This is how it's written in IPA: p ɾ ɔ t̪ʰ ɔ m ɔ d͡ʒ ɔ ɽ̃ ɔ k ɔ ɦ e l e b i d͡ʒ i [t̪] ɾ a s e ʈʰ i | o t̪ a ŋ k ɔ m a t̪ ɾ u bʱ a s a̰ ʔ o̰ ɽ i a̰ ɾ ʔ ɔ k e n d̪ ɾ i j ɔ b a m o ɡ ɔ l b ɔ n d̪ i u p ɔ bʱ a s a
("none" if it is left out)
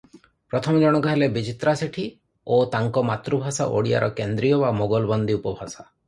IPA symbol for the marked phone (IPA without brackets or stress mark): t̪